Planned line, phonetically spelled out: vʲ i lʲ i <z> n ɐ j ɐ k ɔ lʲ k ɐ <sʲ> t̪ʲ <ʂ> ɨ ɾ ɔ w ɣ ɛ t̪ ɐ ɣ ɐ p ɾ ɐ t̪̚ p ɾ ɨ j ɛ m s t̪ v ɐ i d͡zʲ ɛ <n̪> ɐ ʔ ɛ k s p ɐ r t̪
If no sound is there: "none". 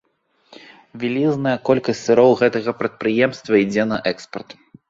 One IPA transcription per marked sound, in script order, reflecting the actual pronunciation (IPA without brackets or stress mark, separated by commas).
z, sʲ, s, n̪